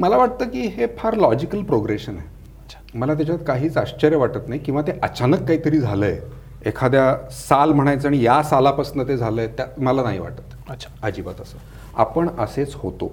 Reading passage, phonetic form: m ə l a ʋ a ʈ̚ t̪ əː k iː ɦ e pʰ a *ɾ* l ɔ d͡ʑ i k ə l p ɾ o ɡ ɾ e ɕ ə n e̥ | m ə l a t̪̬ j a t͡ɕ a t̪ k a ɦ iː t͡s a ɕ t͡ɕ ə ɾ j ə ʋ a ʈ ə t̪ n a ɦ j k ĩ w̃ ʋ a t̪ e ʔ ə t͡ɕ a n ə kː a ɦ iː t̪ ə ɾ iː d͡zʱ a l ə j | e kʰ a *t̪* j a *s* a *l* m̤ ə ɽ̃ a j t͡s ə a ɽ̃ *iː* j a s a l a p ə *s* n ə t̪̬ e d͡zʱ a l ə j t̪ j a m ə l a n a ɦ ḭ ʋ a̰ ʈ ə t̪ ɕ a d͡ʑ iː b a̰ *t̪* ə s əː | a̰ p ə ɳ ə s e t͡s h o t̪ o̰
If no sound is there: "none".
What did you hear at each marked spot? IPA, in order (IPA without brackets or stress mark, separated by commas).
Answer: ɾ, d̪, s, l, i, s, t̪